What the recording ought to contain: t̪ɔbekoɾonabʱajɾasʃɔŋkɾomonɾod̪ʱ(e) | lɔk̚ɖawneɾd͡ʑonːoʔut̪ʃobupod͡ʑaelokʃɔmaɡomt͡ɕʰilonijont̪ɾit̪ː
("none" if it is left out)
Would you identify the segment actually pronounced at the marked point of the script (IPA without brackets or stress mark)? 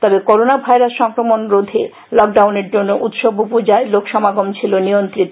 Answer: e